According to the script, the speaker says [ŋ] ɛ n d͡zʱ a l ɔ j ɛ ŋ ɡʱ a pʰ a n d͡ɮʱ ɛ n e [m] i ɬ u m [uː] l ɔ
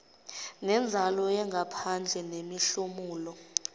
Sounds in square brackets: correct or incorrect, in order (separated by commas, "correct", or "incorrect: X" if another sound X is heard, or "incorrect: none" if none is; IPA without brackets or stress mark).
incorrect: n, correct, correct